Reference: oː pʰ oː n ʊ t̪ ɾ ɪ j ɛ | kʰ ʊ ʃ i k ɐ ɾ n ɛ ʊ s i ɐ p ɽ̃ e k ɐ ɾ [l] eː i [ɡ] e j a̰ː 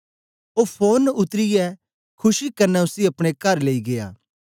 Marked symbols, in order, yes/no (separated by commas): yes, yes